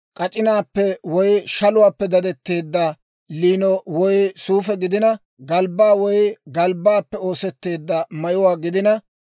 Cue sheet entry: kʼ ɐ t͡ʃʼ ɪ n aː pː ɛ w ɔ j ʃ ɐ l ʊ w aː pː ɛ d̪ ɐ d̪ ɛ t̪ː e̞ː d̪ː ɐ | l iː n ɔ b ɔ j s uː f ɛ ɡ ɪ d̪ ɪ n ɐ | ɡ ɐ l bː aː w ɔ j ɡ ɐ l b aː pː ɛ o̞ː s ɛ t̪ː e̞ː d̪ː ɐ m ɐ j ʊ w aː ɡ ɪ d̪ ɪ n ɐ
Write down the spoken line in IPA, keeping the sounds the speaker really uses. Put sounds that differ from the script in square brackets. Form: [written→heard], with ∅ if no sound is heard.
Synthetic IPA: kʼ ɐ t͡ʃʼ ɪ n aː pː ɛ w ɔ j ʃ ɐ l ʊ w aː pː ɛ d̪ ɐ d̪ ɛ t̪ː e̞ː d̪ː ɐ | l iː n ɔ [b→w] ɔ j s uː f ɛ ɡ ɪ d̪ ɪ n ɐ | ɡ ɐ l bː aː w ɔ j ɡ ɐ l b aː pː ɛ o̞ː s ɛ t̪ː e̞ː d̪ː ɐ m ɐ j ʊ w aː ɡ ɪ d̪ ɪ n ɐ